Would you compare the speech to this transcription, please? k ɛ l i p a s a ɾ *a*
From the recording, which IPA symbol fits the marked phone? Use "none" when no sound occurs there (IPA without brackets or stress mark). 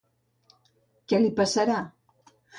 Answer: a